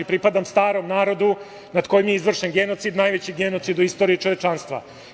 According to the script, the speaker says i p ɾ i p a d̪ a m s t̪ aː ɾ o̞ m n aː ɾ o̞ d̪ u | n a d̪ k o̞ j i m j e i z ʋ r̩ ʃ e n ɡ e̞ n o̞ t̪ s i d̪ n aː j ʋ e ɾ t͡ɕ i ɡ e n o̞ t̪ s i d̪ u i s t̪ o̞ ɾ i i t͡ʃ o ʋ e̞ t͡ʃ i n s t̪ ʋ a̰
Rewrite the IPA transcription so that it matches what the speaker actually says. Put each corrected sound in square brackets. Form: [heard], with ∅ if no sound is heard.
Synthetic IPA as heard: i p ɾ i p a d̪ a m s t̪ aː ɾ o̞ m n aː ɾ o̞ d̪ u | n a d̪ k o̞ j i m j e i z ʋ r̩ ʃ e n ɡ e̞ n o̞ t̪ s i d̪ n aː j ʋ e [∅] t͡ɕ i ɡ e n o̞ t̪ s i d̪ u i s t̪ o̞ ɾ i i t͡ʃ o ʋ e̞ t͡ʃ [a] n s t̪ ʋ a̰